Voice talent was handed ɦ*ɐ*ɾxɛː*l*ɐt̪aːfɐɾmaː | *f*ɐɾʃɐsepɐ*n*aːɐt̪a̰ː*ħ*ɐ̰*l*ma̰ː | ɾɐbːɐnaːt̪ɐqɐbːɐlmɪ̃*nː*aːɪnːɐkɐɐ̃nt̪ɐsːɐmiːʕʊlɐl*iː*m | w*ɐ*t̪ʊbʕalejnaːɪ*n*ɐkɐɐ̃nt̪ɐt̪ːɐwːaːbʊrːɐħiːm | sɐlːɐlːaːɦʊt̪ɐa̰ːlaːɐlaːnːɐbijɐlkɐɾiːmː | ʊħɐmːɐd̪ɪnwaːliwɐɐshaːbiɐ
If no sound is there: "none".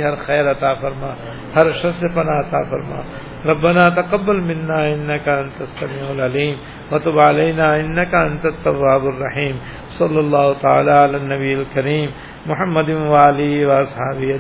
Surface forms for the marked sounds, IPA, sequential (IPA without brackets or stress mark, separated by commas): ɐ, ɾ, h, n, f, ɾ, nː, iː, ɐ, nː